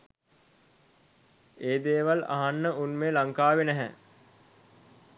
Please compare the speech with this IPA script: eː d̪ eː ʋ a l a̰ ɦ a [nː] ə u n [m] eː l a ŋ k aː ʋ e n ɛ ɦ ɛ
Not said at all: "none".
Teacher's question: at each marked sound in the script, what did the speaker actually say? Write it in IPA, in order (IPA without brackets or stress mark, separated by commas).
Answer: nː, m